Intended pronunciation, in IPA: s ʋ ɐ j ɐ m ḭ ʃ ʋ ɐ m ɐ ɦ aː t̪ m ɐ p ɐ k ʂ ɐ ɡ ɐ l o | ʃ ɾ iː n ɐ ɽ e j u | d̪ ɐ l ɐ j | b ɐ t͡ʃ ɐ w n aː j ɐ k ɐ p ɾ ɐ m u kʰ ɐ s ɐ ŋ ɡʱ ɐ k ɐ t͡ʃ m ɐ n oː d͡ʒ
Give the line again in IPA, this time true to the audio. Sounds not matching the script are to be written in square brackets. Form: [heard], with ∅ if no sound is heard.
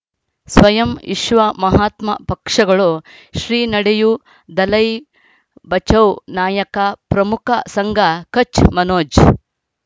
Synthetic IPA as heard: s ʋ ɐ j ɐ m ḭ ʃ ʋ ɐ m ɐ ɦ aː t̪ m ɐ p ɐ k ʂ ɐ ɡ ɐ [ɭ] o | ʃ ɾ iː n ɐ ɽ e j u | d̪ ɐ l ɐ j | b ɐ t͡ʃ ɐ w n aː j ɐ k ɐ p ɾ ɐ m u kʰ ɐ s ɐ ŋ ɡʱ ɐ k ɐ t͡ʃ m ɐ n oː d͡ʒ